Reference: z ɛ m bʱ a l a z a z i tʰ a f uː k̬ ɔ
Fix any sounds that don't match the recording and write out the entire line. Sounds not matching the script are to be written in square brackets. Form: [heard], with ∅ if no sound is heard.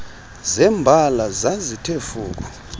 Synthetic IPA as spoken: z ɛ m bʱ a l a z a z i tʰ [e] f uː k̬ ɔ